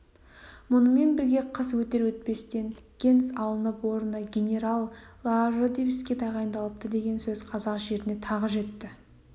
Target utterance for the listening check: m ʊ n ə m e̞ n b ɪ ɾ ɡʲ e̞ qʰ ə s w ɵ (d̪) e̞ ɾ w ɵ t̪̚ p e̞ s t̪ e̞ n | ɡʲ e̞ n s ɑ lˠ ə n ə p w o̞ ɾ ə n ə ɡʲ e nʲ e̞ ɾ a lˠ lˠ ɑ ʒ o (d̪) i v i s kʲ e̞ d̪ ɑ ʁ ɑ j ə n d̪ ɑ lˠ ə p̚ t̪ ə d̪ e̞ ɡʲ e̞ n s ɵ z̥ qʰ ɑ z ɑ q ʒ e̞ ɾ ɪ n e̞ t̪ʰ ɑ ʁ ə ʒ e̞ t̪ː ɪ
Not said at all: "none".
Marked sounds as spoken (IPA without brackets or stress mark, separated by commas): t̪, d̪